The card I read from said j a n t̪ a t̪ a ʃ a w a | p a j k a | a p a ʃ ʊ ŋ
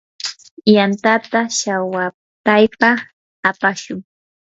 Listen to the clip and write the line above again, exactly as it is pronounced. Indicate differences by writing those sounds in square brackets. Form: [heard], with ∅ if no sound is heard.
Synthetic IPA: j a n t̪ a t̪ a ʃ a w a | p a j [p] a | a p a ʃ ʊ ŋ